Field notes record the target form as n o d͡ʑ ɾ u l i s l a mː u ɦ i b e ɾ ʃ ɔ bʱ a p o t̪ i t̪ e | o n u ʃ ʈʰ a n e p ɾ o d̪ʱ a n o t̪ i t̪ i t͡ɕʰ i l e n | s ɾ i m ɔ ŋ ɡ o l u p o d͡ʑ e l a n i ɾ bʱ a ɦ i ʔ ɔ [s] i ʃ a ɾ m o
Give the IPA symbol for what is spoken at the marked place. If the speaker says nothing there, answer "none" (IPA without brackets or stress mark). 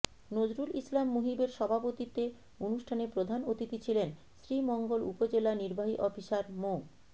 f